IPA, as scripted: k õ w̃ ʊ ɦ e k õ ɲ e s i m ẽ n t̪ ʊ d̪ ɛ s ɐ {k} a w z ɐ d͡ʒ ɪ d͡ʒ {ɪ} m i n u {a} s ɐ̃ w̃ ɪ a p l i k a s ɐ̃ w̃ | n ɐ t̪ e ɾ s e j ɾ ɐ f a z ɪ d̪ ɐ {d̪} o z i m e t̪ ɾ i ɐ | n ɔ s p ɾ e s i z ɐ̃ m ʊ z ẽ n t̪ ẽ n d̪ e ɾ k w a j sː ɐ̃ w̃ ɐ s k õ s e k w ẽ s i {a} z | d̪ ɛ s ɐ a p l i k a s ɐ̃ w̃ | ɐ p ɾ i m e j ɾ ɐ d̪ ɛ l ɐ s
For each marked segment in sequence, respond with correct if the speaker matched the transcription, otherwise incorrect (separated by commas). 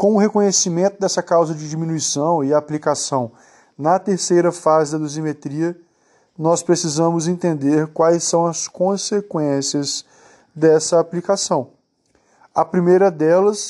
correct, incorrect, incorrect, correct, incorrect